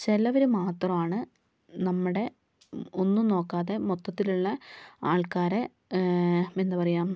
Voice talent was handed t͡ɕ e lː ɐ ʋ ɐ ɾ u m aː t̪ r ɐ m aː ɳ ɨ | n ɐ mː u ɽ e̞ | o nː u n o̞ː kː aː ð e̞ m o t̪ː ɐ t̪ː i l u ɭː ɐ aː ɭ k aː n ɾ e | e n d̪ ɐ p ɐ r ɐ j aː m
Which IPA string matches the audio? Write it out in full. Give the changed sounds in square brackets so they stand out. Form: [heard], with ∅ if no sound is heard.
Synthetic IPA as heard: t͡ɕ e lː ɐ ʋ ɐ ɾ u m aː t̪ r ɐ m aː ɳ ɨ | n ɐ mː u ɽ e̞ | o nː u n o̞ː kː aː ð e̞ m o t̪ː ɐ t̪ː i l u ɭː ɐ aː ɭ k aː [∅] ɾ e | e n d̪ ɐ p ɐ r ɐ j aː m